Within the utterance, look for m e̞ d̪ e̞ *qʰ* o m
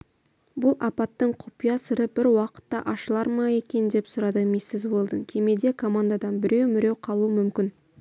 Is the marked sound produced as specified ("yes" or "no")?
no